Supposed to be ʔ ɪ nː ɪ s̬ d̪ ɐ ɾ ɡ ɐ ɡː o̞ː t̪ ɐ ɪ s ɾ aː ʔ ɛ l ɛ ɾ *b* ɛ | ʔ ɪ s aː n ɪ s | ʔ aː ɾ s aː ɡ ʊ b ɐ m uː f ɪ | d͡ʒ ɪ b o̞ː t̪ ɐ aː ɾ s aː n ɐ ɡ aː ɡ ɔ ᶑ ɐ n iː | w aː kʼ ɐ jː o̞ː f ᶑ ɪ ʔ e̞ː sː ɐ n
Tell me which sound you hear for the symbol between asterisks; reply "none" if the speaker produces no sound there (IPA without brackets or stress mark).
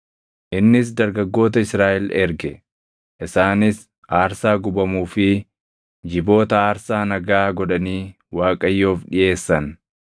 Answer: ɡ